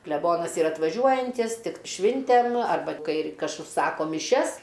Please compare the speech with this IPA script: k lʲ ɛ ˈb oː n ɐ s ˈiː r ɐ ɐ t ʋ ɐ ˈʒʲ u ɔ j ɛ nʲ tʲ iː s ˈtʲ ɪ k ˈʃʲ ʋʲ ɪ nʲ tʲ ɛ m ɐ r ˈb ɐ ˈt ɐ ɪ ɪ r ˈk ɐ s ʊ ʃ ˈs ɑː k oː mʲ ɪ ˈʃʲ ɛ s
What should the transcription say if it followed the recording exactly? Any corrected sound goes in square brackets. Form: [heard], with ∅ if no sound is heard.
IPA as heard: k lʲ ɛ ˈb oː n ɐ s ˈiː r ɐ ɐ t ʋ ɐ ˈʒʲ u ɔ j ɛ nʲ tʲ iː s ˈtʲ ɪ k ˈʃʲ ʋʲ ɪ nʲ tʲ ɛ m ɐ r ˈb ɐ [ˈk] ɐ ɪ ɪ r ˈk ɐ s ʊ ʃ ˈs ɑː k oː mʲ ɪ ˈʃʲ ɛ s